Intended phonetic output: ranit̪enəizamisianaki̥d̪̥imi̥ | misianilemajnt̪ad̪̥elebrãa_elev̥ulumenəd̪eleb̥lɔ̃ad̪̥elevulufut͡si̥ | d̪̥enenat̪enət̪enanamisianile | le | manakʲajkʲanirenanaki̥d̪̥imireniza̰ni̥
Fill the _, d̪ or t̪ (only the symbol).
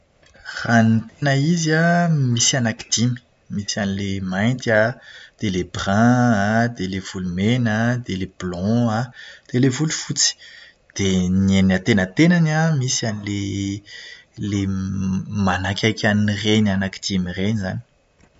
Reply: d̪